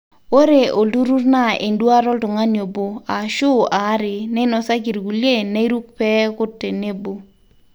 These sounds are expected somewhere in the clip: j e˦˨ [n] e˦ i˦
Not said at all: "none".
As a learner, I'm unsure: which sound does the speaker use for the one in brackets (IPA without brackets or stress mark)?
n